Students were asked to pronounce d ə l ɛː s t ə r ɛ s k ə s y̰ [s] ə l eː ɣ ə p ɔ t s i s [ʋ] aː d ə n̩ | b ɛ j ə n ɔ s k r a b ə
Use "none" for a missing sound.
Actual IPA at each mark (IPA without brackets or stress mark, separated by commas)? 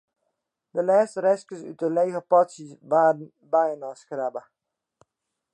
t, ʋ